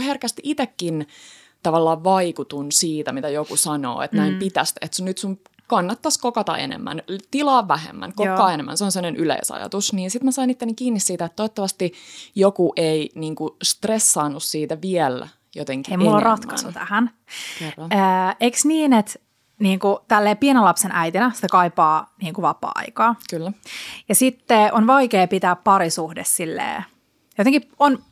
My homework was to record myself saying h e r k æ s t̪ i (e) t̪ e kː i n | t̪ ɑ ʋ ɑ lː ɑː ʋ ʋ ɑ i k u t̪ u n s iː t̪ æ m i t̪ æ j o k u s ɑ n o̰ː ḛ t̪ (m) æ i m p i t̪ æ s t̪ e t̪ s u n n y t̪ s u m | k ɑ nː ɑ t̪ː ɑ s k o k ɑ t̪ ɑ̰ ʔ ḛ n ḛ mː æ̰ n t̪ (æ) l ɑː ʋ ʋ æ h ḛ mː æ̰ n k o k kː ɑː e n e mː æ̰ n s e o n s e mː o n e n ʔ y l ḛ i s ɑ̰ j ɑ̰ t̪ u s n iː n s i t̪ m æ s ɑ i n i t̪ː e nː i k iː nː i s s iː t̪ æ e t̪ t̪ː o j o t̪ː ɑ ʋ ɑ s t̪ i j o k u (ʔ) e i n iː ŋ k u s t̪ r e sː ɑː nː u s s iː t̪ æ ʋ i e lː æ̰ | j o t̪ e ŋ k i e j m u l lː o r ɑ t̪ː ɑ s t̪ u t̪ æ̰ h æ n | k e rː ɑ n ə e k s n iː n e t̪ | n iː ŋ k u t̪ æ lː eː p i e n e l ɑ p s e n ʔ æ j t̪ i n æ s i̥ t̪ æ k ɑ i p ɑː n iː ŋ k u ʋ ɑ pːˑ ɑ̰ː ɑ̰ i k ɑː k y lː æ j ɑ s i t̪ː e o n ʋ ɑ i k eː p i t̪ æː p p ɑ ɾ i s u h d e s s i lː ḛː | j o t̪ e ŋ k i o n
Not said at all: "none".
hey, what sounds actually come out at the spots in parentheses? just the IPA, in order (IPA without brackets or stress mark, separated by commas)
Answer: i, n, i, ʔ